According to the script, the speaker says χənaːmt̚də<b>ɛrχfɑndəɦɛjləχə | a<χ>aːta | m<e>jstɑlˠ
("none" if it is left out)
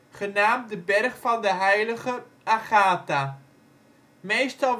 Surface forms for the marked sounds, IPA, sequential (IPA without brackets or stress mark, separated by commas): b, χ, e